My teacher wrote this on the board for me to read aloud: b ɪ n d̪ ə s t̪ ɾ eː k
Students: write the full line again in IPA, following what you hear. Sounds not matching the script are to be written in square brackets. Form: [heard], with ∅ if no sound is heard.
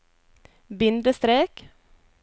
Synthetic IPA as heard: b ɪ n d̪ ə s t̪ ɾ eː k